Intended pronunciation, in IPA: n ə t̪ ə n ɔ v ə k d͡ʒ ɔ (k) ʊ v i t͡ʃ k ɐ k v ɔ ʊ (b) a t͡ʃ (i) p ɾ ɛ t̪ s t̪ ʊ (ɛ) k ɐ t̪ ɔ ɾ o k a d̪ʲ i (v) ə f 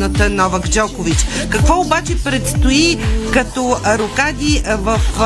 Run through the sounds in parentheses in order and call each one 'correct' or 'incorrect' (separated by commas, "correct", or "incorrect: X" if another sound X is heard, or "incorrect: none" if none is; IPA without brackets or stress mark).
correct, correct, incorrect: ɛ, incorrect: i, correct